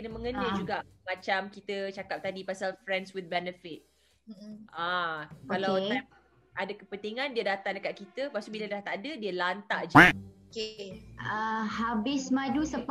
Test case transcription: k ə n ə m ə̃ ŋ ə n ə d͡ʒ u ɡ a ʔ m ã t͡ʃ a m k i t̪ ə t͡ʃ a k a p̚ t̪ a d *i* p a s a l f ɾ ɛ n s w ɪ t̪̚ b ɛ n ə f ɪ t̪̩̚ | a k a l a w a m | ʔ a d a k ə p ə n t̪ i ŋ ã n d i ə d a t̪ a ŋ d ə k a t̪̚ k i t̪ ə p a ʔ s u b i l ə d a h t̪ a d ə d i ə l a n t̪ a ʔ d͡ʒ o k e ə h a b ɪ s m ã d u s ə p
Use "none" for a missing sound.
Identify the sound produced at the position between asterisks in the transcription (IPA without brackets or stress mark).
i